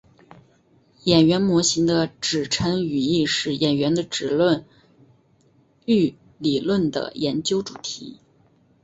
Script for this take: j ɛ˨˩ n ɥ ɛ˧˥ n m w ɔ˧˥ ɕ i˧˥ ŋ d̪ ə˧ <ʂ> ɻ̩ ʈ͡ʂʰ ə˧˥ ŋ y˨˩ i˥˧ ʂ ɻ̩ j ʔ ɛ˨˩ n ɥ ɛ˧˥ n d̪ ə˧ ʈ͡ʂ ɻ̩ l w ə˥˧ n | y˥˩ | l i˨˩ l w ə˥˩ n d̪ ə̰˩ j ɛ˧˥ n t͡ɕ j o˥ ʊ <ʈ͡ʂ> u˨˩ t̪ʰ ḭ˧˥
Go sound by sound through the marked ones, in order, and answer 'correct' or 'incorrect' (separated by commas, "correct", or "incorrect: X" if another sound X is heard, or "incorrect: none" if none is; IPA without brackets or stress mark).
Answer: incorrect: ʈ͡ʂ, correct